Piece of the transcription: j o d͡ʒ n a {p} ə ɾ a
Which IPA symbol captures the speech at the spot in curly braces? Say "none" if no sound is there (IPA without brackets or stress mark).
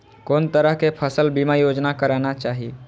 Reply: k